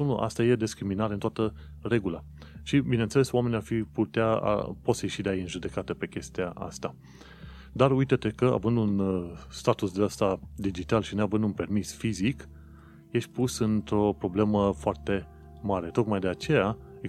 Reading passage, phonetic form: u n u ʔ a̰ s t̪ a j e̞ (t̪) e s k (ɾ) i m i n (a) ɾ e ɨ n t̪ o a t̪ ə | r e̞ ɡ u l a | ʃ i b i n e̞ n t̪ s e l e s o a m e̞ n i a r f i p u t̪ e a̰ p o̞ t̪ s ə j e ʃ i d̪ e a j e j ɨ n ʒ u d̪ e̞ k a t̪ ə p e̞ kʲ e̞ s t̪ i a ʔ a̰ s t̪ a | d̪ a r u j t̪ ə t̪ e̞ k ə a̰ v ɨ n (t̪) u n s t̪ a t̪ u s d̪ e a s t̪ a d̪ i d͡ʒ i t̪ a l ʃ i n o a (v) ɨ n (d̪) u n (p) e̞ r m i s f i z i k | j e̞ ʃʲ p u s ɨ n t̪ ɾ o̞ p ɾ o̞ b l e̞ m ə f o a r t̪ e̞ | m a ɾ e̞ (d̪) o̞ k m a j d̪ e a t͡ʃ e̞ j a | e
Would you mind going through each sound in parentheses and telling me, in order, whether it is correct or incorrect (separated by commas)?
incorrect, correct, correct, incorrect, correct, correct, correct, incorrect